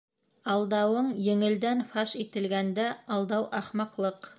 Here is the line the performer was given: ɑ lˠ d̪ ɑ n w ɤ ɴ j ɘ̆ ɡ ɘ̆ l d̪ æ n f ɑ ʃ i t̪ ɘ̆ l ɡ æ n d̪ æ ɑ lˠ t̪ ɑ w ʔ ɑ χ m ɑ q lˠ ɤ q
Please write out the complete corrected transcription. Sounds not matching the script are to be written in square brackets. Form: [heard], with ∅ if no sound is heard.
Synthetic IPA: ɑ lˠ d̪ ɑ [∅] w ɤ ɴ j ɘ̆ [ŋ] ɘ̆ l d̪ æ n f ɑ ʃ i t̪ ɘ̆ l ɡ æ n d̪ æ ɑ lˠ [d̪] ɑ w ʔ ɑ χ m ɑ q lˠ ɤ q